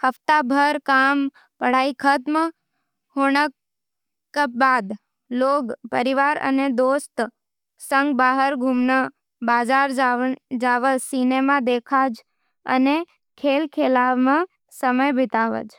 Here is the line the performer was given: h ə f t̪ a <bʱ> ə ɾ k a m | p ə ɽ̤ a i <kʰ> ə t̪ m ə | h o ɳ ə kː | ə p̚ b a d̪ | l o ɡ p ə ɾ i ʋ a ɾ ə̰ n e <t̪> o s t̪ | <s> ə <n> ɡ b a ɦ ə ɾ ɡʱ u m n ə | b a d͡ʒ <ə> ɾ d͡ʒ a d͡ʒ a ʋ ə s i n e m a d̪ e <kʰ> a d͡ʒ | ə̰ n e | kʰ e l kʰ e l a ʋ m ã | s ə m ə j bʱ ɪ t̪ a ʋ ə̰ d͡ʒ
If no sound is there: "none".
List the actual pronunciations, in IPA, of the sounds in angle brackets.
bʱ, kʰ, d̪, s, ŋ, a, kʰ

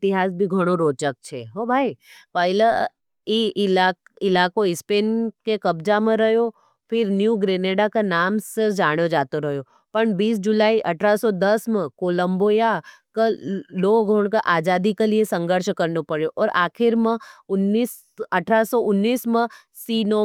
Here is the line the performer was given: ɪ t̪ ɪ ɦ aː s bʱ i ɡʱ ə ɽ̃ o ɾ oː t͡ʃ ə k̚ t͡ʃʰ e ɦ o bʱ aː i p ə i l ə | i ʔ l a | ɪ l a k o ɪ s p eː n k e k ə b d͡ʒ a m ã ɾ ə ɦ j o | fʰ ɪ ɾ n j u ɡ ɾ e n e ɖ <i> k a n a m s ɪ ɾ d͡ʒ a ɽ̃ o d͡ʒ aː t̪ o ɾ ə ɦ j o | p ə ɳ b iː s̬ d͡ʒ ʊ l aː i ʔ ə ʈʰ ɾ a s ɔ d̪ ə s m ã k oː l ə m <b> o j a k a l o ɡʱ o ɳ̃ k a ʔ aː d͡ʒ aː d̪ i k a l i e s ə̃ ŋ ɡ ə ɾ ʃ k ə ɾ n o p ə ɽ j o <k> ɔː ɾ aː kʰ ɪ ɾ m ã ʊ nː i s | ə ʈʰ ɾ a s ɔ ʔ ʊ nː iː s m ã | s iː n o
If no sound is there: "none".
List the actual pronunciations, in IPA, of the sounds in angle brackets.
a, b, ʔ

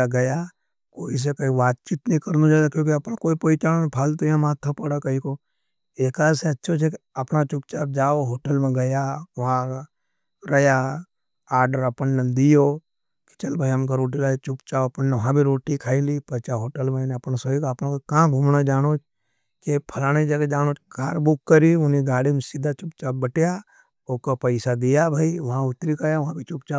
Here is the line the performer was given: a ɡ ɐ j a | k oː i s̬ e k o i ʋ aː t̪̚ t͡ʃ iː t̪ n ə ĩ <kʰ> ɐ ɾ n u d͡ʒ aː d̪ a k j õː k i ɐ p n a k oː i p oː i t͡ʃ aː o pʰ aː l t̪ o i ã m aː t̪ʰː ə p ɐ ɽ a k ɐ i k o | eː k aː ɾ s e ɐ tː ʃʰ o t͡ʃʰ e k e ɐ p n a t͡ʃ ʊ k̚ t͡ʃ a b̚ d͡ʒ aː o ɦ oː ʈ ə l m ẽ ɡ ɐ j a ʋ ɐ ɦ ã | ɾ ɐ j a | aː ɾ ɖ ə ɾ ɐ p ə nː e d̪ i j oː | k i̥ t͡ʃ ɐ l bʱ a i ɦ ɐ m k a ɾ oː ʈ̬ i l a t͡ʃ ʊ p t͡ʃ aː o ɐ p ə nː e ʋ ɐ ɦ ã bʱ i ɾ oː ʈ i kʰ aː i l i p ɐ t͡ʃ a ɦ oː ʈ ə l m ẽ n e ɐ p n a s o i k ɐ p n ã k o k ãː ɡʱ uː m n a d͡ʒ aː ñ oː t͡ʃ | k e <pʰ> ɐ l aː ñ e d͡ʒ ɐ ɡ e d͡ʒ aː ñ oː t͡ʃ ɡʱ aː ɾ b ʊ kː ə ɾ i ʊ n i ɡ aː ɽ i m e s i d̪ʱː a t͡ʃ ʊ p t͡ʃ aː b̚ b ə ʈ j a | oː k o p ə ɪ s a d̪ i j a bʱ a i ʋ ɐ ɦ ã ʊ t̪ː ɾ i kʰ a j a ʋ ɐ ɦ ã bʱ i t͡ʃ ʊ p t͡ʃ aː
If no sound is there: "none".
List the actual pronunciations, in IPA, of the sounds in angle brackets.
k, pʰ

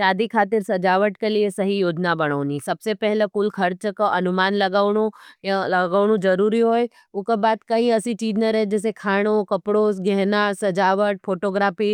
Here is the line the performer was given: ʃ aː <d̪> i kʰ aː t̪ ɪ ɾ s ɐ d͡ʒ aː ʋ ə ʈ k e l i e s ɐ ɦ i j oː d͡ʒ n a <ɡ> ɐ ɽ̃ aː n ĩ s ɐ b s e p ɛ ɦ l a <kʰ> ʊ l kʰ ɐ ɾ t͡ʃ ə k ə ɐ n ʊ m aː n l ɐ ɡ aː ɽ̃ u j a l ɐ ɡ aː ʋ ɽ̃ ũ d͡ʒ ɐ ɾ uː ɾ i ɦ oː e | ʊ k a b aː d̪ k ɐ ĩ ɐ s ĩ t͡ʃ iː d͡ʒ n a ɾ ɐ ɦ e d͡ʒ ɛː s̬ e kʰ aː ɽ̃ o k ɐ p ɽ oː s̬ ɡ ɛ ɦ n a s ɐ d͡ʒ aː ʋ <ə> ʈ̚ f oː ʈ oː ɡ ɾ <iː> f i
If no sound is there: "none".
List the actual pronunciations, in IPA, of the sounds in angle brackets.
d̪, b, k, ə, aː

